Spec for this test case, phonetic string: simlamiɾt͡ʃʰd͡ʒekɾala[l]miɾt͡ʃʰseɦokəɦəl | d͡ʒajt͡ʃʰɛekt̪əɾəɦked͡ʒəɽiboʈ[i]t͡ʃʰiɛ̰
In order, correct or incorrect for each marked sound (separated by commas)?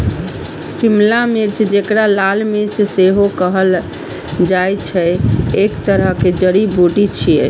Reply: correct, correct